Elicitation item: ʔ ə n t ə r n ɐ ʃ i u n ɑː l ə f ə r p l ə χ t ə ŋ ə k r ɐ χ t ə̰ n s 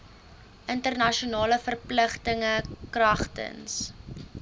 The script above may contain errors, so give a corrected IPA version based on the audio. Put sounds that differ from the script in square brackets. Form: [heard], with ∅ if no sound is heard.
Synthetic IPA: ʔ ə n t ə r n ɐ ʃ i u n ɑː l ə f ə r p l ə χ t ə ŋ ə k r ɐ χ t ə̰ n s